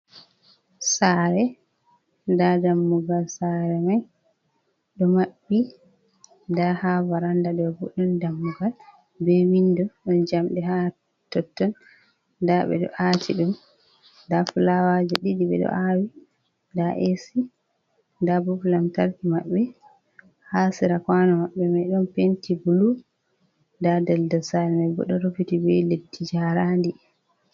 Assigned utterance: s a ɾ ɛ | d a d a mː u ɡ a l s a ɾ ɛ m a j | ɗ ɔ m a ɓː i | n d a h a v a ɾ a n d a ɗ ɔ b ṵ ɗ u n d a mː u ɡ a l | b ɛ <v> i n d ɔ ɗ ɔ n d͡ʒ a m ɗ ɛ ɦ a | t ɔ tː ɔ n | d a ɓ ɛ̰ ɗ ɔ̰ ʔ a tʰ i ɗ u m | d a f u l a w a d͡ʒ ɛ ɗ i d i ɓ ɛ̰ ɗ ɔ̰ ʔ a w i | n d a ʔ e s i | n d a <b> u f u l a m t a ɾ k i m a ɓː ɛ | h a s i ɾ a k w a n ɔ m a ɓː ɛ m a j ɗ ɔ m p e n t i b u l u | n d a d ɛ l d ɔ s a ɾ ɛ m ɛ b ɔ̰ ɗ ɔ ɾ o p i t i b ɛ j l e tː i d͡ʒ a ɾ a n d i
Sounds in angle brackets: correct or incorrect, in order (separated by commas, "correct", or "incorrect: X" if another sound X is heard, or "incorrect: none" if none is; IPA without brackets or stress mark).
incorrect: w, correct